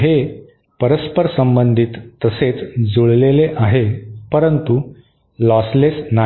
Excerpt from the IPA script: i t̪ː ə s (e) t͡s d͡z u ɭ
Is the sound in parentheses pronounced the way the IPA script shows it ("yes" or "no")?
yes